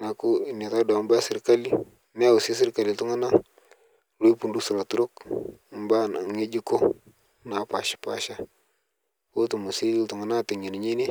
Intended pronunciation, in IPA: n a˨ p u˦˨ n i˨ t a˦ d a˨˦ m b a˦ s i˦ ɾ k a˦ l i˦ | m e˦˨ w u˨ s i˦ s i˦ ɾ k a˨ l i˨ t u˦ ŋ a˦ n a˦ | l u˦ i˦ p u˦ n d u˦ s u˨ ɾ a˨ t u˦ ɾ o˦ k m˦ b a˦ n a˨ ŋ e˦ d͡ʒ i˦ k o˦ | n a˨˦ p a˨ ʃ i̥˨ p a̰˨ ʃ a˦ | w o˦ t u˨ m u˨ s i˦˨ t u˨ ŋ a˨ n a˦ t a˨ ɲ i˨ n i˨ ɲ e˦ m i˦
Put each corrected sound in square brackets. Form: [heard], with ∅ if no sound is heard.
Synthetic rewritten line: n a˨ [k] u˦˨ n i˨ t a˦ d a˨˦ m b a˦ s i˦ ɾ k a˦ l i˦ | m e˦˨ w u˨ s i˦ s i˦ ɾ k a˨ l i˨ t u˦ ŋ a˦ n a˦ | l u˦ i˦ p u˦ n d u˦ s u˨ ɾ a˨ t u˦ ɾ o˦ k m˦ b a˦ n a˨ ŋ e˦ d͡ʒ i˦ k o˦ | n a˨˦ p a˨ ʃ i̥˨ p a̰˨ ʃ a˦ | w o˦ t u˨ m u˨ s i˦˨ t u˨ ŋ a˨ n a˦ t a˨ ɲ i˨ n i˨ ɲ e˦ [n] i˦